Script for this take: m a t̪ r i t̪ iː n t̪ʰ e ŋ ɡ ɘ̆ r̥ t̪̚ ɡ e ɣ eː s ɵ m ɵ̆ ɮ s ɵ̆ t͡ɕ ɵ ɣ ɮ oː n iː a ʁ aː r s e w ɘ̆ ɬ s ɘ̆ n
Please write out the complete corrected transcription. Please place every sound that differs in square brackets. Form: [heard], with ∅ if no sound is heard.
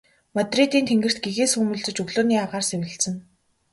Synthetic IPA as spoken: m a t̪ r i t̪ iː n t̪ʰ e ŋ ɡ ɘ̆ r̥ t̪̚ ɡ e ɣ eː s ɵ m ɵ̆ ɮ [t͡s] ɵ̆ t͡ɕ ɵ ɣ ɮ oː n iː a ʁ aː r s e w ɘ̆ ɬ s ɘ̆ n